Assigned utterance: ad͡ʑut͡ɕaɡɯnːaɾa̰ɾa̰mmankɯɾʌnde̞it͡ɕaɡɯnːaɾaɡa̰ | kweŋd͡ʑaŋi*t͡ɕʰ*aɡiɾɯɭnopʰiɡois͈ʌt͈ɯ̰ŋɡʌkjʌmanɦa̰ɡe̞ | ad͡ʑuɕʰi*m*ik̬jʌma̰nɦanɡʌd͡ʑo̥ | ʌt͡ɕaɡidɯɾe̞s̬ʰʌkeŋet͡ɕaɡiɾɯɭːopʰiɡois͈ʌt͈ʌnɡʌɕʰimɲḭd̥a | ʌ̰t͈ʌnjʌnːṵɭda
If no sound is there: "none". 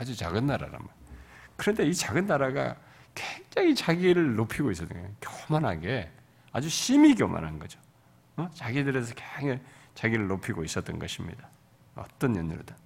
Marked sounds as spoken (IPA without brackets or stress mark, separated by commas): t͡ɕ, m